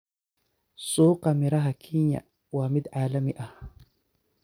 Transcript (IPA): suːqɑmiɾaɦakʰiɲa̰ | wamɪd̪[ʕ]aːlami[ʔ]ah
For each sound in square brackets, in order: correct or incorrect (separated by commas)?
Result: correct, correct